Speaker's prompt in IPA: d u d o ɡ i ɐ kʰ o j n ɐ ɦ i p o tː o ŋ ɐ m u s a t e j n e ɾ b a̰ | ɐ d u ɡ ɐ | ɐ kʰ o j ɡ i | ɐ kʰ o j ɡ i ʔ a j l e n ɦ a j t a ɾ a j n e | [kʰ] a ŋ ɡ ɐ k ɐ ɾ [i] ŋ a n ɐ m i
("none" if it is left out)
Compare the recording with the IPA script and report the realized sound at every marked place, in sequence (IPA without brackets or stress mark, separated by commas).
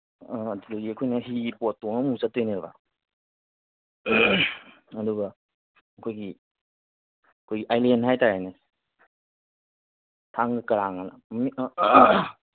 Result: tʰ, a